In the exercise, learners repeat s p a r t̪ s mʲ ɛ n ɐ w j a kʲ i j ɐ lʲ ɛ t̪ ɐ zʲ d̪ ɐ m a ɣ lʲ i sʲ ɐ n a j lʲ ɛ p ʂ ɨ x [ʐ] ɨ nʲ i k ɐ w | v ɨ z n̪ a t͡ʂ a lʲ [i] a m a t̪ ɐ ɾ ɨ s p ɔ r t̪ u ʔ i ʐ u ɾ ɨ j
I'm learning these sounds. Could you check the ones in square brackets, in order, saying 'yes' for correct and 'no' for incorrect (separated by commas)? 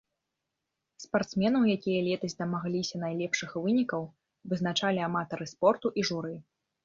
no, yes